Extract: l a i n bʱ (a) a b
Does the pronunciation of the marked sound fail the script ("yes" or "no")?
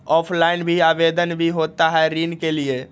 yes